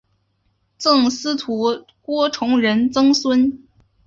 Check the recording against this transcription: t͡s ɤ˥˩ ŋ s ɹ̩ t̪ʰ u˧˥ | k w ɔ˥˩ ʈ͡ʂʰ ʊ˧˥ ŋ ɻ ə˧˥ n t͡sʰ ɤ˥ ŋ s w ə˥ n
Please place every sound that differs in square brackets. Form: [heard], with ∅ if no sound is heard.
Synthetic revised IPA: t͡s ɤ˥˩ ŋ s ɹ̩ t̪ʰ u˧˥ | k w [ɔ˥] ʈ͡ʂʰ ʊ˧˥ ŋ ɻ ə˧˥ n [t͡s] ɤ˥ ŋ s w ə˥ n